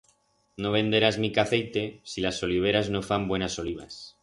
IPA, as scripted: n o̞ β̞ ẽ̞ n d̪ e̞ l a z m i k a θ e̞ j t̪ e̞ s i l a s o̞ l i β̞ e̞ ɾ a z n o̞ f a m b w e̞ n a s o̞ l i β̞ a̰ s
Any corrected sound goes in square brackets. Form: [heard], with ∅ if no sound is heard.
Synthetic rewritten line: n o̞ β̞ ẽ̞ n d̪ e̞ [ɾ] a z m i k a θ e̞ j t̪ e̞ s i l a s o̞ l i β̞ e̞ ɾ a z n o̞ f a m b w e̞ n a s o̞ l i β̞ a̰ s